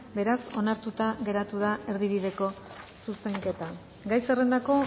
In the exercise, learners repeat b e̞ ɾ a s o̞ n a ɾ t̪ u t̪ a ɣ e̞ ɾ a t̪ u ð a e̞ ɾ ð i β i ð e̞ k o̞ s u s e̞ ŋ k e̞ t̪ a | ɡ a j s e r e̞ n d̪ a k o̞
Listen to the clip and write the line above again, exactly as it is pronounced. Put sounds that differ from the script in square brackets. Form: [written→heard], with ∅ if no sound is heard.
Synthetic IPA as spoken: b e̞ ɾ a s o̞ n a ɾ t̪ u t̪ a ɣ e̞ ɾ a t̪ u ð a e̞ ɾ ð i β i ð e̞ k o̞ s u s e̞ ŋ k e̞ t̪ a | ɡ a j s e r e̞ n d̪ a k o̞